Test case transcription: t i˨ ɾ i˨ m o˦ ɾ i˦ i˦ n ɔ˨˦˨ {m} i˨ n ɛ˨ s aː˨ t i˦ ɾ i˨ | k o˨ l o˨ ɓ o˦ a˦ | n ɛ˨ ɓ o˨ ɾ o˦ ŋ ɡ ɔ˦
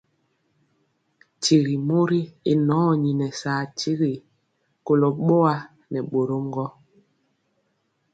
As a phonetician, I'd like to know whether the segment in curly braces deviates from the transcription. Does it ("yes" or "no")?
yes